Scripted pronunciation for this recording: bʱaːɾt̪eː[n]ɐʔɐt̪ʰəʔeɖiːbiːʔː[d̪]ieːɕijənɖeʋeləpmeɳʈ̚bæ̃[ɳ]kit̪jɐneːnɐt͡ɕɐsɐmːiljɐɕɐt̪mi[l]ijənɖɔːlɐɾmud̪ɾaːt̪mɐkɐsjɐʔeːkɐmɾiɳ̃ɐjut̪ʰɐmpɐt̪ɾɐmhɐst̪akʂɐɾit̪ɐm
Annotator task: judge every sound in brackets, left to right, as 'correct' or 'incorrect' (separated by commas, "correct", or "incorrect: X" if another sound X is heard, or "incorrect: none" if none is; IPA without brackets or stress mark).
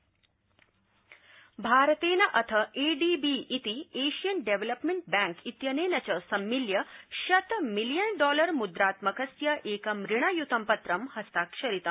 correct, incorrect: t̪, incorrect: ŋ, correct